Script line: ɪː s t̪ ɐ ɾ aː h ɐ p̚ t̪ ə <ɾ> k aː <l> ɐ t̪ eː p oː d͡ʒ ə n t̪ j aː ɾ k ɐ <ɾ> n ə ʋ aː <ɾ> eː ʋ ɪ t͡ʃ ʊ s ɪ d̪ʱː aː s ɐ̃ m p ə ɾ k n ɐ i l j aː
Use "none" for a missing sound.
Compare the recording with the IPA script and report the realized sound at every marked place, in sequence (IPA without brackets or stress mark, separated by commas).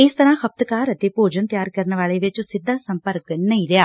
none, ɾ, ɾ, ɭ